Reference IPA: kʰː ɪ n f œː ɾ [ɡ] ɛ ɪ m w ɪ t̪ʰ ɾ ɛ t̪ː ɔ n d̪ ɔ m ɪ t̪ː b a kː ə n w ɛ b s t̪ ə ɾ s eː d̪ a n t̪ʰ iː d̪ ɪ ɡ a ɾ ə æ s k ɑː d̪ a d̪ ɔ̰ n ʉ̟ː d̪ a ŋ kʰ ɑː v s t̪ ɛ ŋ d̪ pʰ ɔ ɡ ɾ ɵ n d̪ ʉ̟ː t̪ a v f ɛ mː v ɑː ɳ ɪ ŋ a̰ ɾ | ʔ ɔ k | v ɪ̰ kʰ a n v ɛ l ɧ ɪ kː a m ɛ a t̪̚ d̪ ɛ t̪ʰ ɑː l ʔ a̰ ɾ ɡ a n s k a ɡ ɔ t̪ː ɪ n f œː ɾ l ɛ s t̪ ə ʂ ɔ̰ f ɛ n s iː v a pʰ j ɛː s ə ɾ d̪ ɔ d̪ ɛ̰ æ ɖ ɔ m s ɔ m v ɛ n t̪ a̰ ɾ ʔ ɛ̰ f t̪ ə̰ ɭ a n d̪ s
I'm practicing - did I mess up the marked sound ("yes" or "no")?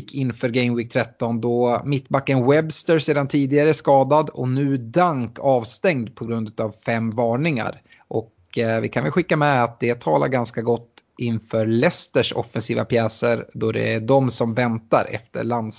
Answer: no